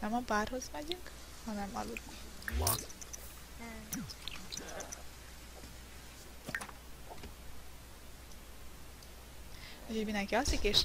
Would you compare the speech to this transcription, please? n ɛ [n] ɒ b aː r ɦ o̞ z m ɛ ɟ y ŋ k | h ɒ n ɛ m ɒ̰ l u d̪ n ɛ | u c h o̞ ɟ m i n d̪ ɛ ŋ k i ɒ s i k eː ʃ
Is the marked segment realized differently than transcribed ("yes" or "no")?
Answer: yes